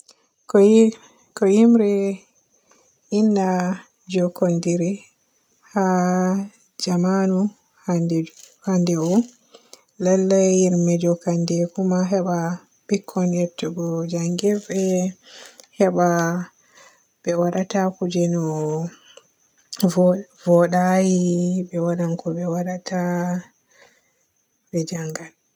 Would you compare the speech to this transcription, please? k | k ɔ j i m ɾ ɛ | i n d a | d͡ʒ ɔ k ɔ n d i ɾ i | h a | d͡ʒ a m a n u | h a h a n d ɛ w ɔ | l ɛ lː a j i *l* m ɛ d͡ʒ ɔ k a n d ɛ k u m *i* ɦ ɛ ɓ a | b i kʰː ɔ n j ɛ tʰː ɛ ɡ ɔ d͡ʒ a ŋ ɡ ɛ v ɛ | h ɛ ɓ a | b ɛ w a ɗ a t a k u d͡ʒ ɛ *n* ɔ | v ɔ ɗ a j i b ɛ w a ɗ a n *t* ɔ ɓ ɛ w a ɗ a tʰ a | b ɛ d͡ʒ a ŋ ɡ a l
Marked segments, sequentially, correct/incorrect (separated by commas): incorrect, incorrect, correct, incorrect